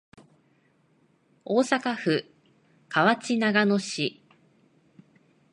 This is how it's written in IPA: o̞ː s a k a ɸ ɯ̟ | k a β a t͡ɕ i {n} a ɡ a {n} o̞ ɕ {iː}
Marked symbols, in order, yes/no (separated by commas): yes, yes, no